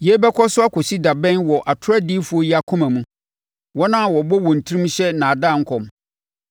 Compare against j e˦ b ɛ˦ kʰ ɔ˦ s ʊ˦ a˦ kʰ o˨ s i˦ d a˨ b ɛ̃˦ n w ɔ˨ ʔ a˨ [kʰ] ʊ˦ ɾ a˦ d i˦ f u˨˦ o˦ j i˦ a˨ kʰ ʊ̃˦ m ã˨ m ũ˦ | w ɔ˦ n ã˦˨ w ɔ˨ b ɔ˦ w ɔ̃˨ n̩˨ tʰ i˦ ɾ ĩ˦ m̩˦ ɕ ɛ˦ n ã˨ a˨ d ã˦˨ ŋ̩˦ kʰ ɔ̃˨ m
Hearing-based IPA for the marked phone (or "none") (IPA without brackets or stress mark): tʰ